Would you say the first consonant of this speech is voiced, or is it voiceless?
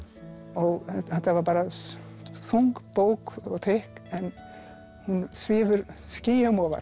voiced